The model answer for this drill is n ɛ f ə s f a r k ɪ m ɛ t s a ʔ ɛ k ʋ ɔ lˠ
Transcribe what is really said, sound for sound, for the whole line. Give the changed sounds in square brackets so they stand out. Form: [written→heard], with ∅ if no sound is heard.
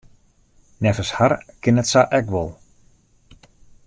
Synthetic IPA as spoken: n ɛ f ə s [f→h] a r k ɪ [m→n] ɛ t s a ʔ ɛ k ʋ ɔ lˠ